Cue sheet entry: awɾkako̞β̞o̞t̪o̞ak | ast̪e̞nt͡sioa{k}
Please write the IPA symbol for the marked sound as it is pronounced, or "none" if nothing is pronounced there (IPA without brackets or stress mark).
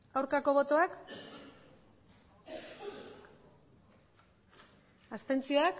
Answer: k